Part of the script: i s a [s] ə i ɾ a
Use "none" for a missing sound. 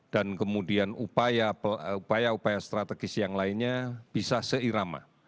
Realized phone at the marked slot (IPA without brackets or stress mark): s